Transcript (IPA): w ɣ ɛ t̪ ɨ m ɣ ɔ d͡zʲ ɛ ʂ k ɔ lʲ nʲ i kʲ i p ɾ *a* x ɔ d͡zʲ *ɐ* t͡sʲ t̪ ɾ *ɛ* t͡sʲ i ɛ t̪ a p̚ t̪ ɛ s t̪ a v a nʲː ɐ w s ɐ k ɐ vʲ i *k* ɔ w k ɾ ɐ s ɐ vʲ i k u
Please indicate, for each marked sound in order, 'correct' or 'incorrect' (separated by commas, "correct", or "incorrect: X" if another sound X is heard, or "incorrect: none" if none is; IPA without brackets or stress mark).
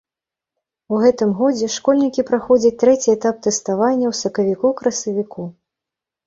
correct, correct, correct, correct